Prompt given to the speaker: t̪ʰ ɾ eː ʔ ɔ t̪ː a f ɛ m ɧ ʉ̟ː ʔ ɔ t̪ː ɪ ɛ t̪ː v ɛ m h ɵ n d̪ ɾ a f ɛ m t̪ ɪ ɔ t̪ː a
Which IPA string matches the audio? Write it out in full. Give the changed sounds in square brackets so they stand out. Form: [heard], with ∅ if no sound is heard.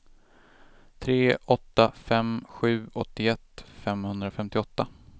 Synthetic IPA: t̪ʰ ɾ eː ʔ ɔ t̪ː a f ɛ m ɧ ʉ̟ː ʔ ɔ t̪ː ɪ ɛ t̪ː [f] ɛ m h ɵ n d̪ ɾ a f ɛ m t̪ ɪ ɔ t̪ː a